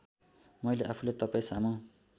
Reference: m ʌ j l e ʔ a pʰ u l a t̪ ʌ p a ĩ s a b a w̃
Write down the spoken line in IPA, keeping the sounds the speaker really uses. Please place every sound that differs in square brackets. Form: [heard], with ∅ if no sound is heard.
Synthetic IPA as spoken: m ʌ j l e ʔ a pʰ u l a t̪ ʌ p a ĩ s a [m] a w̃